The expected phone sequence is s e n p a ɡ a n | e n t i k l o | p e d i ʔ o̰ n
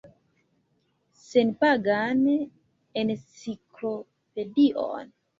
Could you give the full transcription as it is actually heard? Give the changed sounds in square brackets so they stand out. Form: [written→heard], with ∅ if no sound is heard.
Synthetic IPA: s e n p a ɡ a n | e n [t→s] i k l o | p e d i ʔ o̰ n